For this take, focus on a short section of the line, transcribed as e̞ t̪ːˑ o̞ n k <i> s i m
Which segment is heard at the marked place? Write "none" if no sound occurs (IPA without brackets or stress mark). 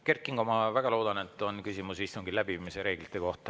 y